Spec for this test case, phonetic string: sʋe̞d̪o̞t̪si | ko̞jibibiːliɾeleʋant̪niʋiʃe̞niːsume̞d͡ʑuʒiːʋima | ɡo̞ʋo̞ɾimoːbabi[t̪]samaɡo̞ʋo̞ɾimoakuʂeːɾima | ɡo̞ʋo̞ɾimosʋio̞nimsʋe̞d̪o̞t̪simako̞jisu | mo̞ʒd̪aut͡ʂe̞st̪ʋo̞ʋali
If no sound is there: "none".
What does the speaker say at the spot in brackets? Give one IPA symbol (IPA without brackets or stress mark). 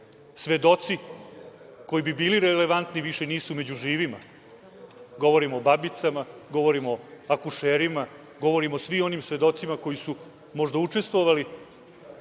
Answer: t̪